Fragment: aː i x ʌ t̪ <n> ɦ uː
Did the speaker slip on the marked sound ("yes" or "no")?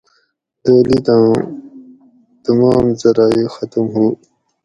yes